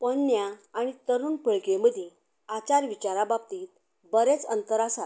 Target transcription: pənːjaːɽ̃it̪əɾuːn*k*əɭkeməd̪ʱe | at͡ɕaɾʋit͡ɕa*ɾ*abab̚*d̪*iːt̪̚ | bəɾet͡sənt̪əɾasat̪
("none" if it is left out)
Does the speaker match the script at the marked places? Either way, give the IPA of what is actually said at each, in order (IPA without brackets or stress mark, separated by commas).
p, ɾ, t̪